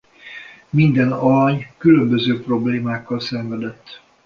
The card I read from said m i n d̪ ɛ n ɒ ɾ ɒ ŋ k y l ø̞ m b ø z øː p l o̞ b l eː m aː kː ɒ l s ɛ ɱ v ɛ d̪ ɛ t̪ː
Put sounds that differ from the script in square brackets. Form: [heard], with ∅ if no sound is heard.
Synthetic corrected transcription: m i n d̪ ɛ n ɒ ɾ ɒ [ɲ] k y l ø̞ m b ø z øː p [r] o̞ b l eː m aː kː ɒ l s ɛ ɱ v ɛ d̪ ɛ t̪ː